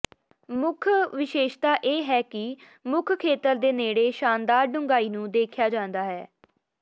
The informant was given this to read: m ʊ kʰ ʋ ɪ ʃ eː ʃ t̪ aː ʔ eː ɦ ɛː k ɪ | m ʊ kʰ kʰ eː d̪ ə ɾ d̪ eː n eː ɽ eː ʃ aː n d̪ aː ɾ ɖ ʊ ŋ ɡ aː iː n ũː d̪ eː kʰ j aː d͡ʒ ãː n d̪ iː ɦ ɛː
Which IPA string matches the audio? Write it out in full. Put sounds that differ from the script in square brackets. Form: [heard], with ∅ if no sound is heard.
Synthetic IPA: m ʊ kʰ ʋ ɪ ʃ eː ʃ t̪ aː ʔ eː ɦ ɛː k ɪ | m ʊ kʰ kʰ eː [t̪] ə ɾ d̪ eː n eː ɽ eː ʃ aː n d̪ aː ɾ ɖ ʊ ŋ ɡ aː iː n ũː d̪ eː kʰ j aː d͡ʒ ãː n d̪ [aː] ɦ ɛː